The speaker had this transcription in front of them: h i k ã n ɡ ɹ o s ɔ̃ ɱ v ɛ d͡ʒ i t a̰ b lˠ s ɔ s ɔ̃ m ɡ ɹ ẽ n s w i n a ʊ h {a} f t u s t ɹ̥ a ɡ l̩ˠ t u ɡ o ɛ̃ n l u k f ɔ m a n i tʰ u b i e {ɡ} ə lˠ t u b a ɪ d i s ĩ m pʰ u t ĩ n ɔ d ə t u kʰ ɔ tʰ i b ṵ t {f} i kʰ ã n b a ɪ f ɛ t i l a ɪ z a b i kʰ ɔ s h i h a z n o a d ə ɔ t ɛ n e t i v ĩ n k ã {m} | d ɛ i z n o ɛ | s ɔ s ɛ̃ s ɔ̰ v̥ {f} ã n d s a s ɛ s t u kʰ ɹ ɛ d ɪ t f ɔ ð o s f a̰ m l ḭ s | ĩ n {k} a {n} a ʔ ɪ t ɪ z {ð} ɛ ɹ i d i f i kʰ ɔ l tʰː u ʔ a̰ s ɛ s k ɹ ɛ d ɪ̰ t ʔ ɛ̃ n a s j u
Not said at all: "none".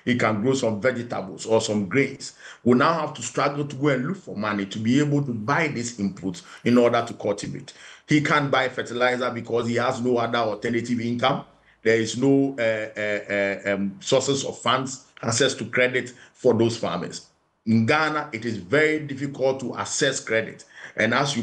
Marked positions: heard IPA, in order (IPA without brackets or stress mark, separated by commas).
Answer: a, b, h, m, f, ɡ, n, v